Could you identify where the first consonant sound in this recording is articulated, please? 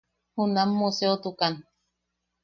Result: glottal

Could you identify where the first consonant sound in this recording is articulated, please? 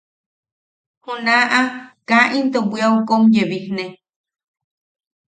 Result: glottal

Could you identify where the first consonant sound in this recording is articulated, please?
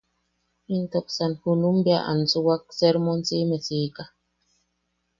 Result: alveolar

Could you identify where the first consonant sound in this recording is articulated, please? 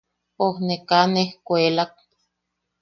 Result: glottal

